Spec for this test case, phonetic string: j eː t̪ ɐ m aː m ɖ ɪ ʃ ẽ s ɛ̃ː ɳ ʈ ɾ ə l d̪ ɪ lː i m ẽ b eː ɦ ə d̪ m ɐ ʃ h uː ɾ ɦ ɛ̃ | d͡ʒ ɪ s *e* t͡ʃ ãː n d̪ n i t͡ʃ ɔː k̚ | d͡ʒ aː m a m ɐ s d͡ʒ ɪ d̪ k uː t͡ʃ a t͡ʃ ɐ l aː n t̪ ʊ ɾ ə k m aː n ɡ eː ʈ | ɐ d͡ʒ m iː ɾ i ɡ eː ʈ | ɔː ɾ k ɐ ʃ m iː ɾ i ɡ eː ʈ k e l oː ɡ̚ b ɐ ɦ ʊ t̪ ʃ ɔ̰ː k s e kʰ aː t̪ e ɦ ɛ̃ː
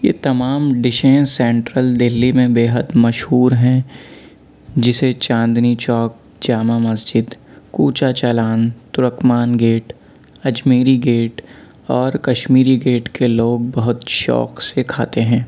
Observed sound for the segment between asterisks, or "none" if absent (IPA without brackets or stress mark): e